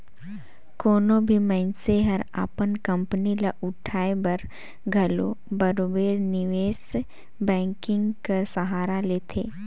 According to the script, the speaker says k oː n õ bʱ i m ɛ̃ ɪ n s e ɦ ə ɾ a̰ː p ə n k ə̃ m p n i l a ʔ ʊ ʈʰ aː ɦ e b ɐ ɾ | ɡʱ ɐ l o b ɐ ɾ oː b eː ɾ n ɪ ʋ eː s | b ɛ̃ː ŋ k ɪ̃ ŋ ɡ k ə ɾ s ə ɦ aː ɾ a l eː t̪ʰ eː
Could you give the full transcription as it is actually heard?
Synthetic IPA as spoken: k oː n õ bʱ i m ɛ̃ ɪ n s e ɦ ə ɾ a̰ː p ə n k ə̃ m p n i l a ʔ ʊ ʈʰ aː e b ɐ ɾ | ɡʱ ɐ l o b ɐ ɾ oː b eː ɾ n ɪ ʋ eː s | b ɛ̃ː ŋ k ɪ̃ ŋ ɡ k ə ɾ s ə ɦ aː ɾ a l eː t̪ʰ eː